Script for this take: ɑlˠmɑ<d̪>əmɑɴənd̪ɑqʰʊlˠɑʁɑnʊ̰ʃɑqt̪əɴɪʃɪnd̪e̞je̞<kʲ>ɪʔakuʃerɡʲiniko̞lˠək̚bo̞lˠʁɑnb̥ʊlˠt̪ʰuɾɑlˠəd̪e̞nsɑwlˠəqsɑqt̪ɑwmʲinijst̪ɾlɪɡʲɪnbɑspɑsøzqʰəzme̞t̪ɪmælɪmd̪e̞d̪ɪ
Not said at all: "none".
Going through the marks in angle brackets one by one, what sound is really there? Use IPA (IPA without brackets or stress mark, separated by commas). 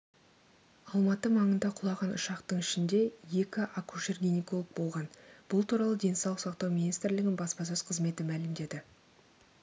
t̪, kʲ